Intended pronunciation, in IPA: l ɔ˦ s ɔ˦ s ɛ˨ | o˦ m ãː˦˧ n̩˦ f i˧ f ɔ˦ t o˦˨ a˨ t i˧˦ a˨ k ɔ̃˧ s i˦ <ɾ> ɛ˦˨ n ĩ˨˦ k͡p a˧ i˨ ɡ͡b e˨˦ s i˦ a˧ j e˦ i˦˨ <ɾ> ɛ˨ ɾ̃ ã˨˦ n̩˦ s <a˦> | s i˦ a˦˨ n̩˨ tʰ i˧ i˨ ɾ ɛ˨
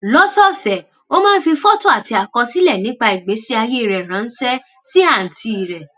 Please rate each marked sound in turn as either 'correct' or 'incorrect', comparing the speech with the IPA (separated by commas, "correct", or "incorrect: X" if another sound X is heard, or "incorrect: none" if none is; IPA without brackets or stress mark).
incorrect: l, correct, incorrect: ɛ˦